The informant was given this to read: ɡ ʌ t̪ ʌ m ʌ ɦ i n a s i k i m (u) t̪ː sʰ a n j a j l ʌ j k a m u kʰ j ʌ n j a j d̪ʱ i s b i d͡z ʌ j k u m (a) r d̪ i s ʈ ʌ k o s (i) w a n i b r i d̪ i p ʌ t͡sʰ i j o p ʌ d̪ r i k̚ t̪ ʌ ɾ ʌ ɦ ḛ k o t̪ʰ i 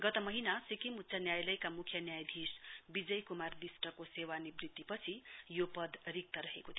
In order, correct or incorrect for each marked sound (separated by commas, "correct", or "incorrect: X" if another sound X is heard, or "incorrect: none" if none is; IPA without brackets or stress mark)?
correct, correct, incorrect: e